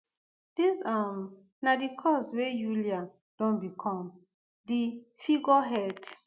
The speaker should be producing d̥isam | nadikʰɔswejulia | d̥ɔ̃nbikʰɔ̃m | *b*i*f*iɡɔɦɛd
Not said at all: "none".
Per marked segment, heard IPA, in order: d, f

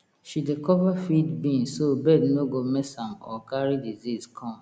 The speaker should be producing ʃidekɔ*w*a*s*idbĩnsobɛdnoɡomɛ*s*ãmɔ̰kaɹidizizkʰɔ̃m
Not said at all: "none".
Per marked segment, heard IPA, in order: v, f, s

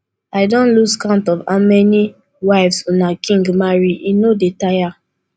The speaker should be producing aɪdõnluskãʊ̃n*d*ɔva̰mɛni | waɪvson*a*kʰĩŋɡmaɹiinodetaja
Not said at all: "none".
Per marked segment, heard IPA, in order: t, a

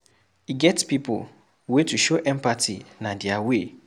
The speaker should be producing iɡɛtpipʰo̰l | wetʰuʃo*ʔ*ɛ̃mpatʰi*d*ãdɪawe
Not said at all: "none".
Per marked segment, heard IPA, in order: ʔ, n

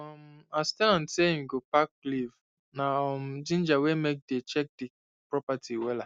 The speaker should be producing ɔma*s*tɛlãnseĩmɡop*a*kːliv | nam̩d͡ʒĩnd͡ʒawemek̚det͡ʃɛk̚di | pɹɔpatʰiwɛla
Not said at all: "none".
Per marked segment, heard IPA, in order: s, a

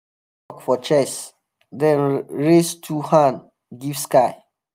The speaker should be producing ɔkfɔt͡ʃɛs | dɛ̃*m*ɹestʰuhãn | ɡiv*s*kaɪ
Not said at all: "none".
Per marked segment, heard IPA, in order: n, s

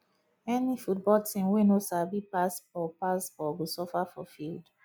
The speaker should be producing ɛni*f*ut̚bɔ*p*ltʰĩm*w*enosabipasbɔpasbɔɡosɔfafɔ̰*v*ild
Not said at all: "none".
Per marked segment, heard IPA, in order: f, none, w, f

